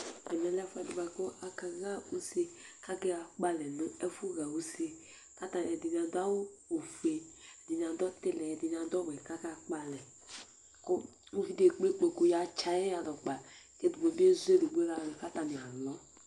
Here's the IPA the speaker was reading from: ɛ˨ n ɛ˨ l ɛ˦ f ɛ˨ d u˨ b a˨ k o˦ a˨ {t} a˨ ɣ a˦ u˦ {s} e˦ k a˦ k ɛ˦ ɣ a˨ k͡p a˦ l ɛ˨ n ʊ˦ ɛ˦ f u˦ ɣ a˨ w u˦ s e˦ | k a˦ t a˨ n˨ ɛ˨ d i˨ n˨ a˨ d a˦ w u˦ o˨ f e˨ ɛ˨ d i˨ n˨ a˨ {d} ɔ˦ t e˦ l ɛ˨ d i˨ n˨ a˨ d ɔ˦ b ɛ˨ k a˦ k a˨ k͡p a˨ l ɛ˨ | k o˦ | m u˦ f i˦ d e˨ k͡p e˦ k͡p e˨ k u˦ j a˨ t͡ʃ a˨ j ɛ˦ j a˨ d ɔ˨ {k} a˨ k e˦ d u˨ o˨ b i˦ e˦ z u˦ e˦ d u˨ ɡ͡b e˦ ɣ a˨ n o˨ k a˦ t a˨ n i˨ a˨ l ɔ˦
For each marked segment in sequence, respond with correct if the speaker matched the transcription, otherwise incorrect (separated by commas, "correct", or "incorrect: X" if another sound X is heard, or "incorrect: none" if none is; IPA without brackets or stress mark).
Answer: incorrect: k, correct, correct, incorrect: k͡p